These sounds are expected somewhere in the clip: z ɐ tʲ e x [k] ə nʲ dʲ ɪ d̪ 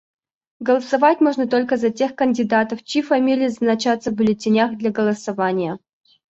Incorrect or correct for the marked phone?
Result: correct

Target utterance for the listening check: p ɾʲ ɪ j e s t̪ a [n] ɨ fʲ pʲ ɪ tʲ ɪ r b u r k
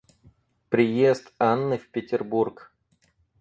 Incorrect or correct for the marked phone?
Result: incorrect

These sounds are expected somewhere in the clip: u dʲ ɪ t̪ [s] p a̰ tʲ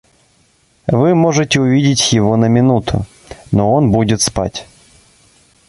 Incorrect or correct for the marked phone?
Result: correct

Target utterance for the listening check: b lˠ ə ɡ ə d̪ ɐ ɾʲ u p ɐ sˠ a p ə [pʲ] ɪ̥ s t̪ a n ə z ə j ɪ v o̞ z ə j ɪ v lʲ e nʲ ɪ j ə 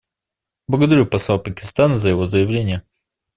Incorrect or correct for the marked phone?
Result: incorrect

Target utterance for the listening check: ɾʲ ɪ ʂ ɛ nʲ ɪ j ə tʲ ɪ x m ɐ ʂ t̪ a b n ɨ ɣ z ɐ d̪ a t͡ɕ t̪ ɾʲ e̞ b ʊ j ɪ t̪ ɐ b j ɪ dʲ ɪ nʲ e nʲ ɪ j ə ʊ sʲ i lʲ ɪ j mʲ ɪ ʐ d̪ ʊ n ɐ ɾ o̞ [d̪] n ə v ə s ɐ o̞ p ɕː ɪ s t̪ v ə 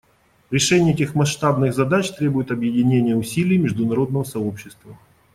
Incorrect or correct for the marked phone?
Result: correct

